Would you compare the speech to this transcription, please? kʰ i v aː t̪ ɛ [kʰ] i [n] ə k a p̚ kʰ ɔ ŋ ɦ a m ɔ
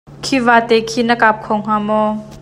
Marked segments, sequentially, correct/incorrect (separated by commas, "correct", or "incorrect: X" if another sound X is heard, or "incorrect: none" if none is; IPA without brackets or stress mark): correct, correct